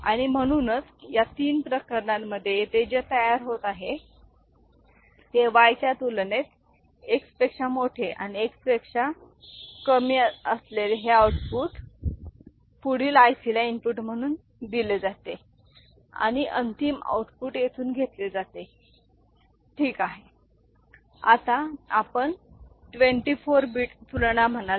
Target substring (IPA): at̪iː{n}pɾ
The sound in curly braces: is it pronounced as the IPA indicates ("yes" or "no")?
yes